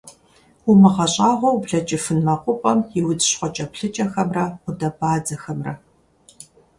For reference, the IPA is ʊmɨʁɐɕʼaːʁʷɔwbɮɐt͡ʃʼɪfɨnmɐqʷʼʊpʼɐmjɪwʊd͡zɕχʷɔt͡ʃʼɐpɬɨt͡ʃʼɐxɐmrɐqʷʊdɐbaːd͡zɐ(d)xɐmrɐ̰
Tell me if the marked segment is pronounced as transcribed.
no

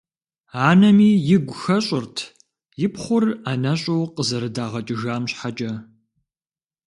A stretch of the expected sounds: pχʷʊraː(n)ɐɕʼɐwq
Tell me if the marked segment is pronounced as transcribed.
yes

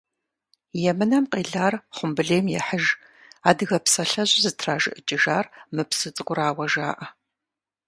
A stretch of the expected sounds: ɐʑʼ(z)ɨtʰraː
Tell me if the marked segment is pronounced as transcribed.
yes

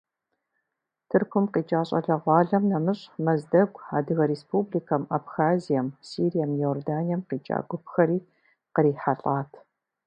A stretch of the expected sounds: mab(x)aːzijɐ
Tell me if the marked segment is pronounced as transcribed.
yes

